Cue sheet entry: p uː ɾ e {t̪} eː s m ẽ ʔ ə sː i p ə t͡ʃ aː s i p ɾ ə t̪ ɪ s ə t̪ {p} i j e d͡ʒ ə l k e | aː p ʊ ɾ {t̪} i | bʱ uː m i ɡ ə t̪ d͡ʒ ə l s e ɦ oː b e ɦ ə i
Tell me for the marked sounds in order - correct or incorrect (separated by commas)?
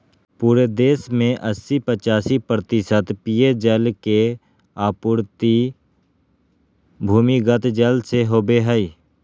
incorrect, correct, correct